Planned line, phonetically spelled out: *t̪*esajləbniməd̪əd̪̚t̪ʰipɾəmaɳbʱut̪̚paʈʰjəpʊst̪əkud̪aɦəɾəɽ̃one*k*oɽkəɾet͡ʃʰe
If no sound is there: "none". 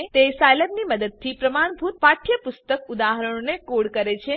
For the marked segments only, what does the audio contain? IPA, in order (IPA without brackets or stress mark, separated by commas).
t̪, k